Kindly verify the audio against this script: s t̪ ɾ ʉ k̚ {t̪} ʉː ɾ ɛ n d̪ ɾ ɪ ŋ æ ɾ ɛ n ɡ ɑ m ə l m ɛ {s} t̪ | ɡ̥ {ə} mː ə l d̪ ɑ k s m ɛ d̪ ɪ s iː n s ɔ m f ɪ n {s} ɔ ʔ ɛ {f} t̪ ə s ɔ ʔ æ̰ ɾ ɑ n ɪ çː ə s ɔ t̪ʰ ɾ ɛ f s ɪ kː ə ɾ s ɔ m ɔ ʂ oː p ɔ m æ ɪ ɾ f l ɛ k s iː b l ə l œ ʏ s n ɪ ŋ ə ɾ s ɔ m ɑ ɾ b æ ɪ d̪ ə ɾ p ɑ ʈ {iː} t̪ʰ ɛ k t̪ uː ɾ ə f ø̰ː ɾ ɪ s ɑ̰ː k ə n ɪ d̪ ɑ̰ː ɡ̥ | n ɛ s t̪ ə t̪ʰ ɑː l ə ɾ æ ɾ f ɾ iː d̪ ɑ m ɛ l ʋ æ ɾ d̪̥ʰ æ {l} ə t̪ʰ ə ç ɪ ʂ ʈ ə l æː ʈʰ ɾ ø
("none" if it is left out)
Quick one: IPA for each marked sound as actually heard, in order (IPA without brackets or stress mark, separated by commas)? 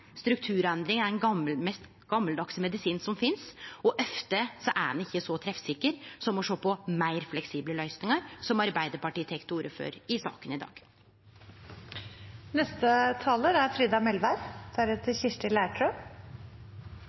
t̪ʰ, s, ɑ, s, f, iː, ɾ